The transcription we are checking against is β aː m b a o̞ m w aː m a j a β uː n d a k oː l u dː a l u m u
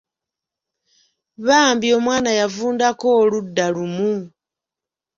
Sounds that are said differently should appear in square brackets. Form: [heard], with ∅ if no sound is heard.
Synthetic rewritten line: β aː m b [i] o̞ m w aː [n] a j a [v] uː n d a k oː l u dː a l u m u

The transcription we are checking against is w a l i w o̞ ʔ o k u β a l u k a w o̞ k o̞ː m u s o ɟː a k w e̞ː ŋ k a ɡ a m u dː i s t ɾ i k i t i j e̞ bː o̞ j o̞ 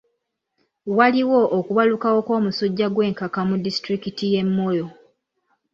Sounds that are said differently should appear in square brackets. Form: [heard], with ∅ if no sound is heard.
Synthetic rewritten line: w a l i w o̞ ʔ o k u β a l u k a w o̞ k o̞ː m u s o ɟː a [ɡ] w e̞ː ŋ k a [k] a m u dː i s t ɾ i k i t i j e̞ [mː] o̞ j o̞

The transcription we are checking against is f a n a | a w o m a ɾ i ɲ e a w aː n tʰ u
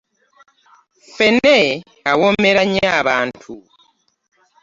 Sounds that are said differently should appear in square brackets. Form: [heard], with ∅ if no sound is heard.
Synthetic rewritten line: f [e] n [e] | a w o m [e] ɾ [a] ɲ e a [β] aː n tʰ u

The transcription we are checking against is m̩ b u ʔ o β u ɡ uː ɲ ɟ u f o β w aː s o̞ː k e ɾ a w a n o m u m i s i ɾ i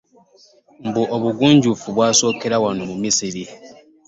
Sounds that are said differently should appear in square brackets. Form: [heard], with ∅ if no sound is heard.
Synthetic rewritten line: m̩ b u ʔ o β u ɡ uː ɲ ɟ u f [u] β w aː s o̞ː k e ɾ a w a n o m u m i s i ɾ i

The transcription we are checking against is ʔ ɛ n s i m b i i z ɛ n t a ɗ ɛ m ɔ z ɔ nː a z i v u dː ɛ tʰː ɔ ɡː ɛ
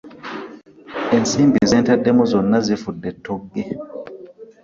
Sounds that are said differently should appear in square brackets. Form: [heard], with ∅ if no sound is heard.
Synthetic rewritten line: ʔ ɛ n s i m b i i z ɛ n t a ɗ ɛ m ɔ z ɔ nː a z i [f] u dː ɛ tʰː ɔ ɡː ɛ

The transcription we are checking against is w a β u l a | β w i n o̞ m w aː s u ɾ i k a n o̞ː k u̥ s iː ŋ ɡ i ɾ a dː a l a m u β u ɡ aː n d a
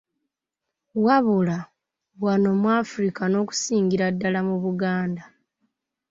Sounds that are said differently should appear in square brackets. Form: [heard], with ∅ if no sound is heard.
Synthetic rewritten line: w a β u l a | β w [a] n o̞ m w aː [f] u ɾ i k a n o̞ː k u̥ s iː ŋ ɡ i ɾ a dː a l a m u β u ɡ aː n d a

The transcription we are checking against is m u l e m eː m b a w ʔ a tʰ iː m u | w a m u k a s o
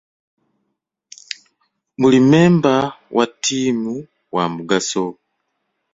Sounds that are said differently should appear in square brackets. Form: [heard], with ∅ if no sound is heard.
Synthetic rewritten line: m u l [i] m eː m b a w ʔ a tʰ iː m u | w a m u [ɡ] a s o

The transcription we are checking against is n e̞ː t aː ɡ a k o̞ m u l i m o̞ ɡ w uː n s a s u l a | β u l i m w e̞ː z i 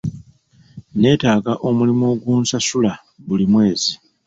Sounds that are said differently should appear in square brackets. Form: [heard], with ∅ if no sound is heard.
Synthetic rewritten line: n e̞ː t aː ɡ a [ʔ] o̞ m u l i m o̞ ɡ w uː n s a s u l a | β u l i m w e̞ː z i

